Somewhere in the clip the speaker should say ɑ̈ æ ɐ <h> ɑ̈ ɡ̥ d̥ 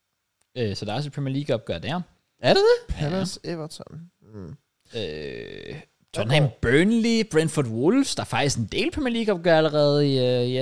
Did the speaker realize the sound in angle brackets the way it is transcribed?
no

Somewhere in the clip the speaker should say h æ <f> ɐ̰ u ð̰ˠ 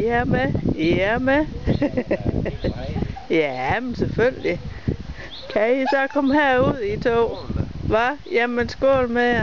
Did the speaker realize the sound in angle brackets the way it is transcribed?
no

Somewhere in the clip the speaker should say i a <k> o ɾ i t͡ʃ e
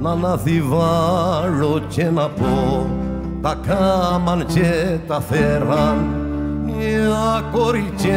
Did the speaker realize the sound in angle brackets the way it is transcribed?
yes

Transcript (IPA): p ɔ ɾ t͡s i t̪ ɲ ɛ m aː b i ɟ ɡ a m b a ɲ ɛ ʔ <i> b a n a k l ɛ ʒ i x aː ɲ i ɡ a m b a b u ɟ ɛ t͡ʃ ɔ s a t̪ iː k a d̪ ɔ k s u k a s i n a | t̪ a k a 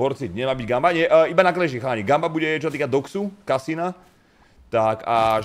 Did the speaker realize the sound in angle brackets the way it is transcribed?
yes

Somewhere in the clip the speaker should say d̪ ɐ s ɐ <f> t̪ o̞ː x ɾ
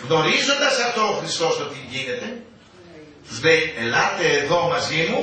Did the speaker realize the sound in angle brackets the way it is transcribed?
yes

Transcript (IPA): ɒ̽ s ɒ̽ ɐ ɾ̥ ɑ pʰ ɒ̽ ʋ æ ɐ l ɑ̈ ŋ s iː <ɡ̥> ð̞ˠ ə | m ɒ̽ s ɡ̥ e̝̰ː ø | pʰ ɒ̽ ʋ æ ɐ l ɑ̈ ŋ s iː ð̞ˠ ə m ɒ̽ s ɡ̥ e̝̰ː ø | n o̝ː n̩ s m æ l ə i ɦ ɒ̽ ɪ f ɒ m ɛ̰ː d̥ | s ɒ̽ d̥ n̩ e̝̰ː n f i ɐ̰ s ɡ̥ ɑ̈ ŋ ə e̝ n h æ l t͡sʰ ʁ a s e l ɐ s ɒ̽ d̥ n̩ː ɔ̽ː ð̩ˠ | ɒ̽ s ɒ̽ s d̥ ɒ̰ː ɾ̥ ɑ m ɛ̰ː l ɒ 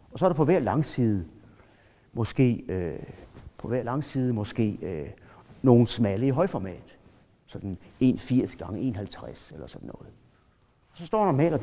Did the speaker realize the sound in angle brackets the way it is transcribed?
no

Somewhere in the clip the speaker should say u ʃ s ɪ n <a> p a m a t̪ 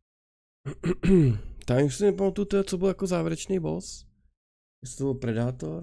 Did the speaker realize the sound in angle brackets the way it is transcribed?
no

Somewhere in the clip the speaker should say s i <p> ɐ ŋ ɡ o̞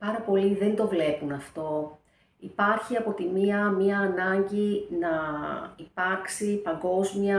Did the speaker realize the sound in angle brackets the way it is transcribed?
yes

